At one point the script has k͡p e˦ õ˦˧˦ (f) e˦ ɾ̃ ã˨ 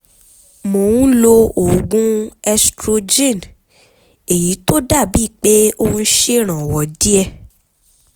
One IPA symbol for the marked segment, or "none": ʃ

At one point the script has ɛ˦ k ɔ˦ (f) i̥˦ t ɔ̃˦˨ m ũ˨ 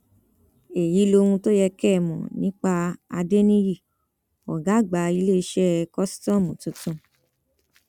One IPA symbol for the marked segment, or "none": s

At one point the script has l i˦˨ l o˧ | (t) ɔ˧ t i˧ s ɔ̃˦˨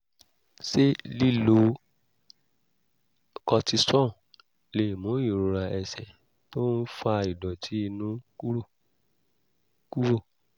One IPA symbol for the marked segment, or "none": k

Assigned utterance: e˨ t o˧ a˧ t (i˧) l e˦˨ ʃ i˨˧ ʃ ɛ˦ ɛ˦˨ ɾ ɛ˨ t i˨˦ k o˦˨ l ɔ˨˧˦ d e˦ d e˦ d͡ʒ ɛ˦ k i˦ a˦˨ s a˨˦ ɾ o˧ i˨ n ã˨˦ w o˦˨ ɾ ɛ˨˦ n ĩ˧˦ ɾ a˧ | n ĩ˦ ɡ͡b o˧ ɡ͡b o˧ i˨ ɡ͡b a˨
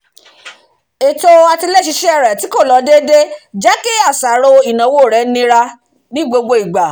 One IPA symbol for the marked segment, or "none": i˧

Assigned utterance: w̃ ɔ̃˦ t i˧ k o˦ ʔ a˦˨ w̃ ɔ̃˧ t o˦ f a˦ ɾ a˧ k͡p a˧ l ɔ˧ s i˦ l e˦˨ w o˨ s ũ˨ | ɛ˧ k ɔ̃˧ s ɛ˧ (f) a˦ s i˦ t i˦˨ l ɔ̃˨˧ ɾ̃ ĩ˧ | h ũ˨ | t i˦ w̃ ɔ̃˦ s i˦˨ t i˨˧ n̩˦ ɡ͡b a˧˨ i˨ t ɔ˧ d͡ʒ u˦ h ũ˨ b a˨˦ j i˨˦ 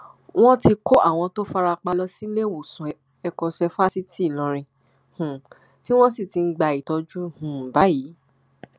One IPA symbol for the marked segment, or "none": f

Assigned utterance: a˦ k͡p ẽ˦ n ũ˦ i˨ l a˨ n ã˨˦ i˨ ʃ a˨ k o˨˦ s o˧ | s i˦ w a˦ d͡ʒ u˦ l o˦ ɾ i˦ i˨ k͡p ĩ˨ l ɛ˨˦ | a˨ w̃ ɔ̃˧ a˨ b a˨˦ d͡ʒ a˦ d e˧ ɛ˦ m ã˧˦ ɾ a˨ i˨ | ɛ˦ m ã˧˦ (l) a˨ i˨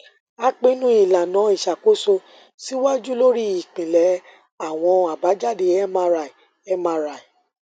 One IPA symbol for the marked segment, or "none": ɾ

